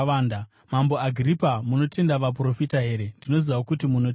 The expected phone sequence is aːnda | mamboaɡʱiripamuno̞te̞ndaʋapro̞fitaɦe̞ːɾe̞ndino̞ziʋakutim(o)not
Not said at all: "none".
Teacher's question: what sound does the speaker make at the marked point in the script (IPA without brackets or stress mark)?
u